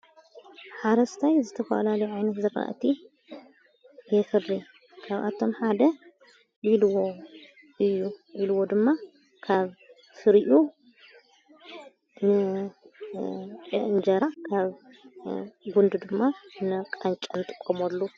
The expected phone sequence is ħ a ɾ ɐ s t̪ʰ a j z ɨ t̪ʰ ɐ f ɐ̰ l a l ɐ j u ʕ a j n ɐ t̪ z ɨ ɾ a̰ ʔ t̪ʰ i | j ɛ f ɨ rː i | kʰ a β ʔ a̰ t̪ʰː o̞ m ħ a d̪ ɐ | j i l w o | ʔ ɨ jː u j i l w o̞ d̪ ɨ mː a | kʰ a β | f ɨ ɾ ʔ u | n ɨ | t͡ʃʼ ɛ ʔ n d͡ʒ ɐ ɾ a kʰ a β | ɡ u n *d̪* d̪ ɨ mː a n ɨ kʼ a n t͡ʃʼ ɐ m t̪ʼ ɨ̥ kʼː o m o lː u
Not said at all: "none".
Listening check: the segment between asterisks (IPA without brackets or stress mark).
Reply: d̪